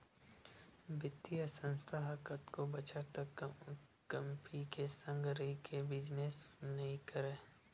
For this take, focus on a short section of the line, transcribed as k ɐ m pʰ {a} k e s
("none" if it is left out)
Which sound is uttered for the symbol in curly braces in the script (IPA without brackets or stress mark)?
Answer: i